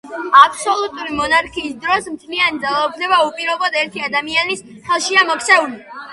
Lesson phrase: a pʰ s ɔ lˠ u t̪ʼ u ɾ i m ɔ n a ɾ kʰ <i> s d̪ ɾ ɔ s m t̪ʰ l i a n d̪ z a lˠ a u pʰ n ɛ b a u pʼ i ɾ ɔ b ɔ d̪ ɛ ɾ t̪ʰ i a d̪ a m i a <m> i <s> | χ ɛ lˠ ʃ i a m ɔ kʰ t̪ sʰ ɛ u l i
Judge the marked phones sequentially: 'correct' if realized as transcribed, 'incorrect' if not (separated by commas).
incorrect, incorrect, correct